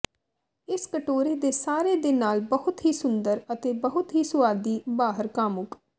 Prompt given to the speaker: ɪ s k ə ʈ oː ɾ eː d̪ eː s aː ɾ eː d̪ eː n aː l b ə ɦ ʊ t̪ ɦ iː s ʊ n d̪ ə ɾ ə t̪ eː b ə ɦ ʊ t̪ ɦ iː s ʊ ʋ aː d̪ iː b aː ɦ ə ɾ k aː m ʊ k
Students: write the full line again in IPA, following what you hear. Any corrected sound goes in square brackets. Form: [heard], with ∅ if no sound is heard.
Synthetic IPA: ɪ s k ə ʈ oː ɾ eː d̪ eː s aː ɾ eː d̪ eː n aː l b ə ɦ ʊ t̪ ɦ iː s ʊ n d̪ ə ɾ ə t̪ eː b ə ɦ ʊ t̪ ɦ iː s ʊ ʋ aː d̪ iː b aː ɦ ə ɾ k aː m ʊ k